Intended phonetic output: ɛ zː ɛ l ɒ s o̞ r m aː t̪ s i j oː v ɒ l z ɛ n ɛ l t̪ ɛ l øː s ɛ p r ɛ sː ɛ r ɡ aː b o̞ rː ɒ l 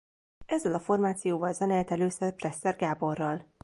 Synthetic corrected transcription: ɛ zː ɛ l ɒ f o̞ r m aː t̪ s i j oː v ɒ l z ɛ n ɛ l t̪ ɛ l øː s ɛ p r ɛ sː ɛ r ɡ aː b o̞ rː ɒ l